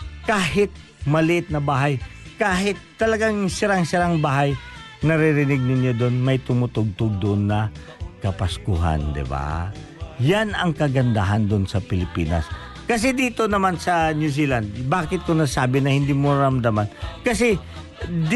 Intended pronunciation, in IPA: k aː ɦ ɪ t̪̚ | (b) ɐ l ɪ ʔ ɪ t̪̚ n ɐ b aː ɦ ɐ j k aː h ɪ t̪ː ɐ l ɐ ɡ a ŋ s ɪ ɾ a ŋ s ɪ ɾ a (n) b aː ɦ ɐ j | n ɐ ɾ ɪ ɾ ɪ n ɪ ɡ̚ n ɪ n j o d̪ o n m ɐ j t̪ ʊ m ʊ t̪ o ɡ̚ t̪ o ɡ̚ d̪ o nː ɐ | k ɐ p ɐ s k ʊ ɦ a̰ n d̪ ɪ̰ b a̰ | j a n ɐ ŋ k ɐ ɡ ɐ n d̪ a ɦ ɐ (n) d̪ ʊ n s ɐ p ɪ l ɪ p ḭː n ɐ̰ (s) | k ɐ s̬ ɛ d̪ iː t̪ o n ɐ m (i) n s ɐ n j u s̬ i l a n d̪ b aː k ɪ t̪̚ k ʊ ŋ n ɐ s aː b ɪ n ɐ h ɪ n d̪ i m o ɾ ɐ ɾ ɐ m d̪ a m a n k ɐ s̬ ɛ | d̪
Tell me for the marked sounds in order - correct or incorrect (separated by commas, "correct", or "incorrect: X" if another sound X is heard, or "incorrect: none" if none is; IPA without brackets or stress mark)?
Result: incorrect: m, incorrect: ŋ, correct, correct, incorrect: a